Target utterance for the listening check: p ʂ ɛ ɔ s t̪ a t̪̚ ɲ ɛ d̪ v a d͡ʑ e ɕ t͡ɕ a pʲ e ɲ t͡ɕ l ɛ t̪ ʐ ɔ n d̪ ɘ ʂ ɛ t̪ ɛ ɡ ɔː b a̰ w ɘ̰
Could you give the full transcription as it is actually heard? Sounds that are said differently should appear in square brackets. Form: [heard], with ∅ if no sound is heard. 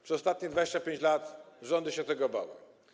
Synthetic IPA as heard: p ʂ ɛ ɔ s t̪ a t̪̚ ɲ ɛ d̪ v a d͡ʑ e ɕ t͡ɕ a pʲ e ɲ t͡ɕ l [a] t̪ ʐ ɔ n d̪ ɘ [ɕ] ɛ t̪ ɛ ɡ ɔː b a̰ w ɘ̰